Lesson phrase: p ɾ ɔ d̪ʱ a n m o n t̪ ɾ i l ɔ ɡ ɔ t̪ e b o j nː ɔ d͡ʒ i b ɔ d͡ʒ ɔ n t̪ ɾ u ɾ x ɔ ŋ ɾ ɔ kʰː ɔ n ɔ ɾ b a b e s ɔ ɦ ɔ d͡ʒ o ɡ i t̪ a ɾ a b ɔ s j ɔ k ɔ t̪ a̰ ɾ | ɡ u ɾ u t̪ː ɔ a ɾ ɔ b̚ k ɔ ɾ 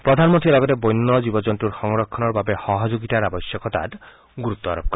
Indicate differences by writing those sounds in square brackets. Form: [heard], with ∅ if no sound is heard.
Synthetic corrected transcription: p ɾ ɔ d̪ʱ a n m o n t̪ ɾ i l ɔ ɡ ɔ t̪ e b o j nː ɔ d͡ʒ i b ɔ d͡ʒ ɔ n t̪ ɾ u ɾ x ɔ ŋ ɾ ɔ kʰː ɔ n ɔ ɾ b a b e [h] ɔ ɦ ɔ d͡ʒ o ɡ i t̪ a ɾ a b ɔ s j ɔ k ɔ t̪ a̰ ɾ | ɡ u ɾ u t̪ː ɔ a ɾ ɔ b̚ k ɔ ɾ